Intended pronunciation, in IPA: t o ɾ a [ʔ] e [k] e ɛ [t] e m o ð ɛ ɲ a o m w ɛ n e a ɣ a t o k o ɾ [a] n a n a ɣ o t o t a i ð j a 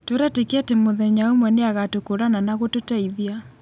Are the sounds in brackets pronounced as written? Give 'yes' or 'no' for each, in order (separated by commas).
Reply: no, yes, yes, yes